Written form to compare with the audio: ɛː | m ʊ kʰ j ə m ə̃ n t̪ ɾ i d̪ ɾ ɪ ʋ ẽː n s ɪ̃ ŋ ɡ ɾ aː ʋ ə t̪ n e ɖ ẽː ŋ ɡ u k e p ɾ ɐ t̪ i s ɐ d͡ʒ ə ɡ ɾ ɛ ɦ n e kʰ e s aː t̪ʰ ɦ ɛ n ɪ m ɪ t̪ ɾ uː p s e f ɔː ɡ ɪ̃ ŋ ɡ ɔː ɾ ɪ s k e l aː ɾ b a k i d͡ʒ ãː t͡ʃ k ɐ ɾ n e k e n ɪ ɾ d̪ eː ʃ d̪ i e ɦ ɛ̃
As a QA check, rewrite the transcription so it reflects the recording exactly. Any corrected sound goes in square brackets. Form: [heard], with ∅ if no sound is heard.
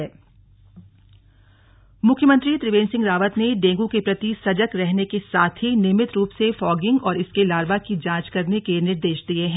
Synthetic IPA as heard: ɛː | m ʊ kʰ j ə m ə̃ n t̪ ɾ i [t̪] ɾ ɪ ʋ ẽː n s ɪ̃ ŋ ɡ ɾ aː ʋ ə t̪ n e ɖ ẽː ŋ ɡ u k e p ɾ ɐ t̪ i s ɐ d͡ʒ ə [k] ɾ ɛ ɦ n e [k] e s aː t̪ʰ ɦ [i] n ɪ m ɪ t̪ ɾ uː p s e f ɔː ɡ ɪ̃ ŋ ɡ ɔː ɾ ɪ s k e l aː ɾ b a k i d͡ʒ ãː t͡ʃ k ɐ ɾ n e k e n ɪ ɾ d̪ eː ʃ d̪ i e ɦ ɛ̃